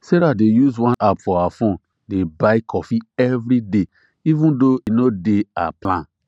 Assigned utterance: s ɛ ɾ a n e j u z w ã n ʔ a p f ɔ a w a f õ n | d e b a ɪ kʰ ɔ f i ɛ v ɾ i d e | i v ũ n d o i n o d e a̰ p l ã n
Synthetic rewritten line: s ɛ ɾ a d e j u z w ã n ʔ a p f ɔ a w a f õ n | d e b a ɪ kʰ ɔ f i ɛ v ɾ i d e | i v ũ n d o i n o d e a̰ p l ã n